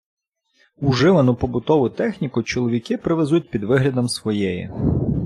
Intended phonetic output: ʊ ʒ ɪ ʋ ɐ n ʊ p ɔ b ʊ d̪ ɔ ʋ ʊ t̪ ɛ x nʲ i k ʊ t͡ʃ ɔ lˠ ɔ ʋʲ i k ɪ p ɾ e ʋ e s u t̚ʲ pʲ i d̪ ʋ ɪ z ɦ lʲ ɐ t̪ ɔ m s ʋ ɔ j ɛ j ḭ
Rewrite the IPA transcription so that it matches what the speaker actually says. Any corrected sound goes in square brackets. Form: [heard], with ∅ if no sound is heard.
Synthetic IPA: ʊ ʒ ɪ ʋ ɐ n ʊ p ɔ b ʊ [t̪] ɔ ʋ ʊ t̪ ɛ x nʲ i k ʊ t͡ʃ ɔ lˠ ɔ ʋʲ i k ɪ p ɾ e ʋ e [z] u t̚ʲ pʲ i d̪ ʋ ɪ [∅] ɦ lʲ ɐ [d̪] ɔ m s ʋ ɔ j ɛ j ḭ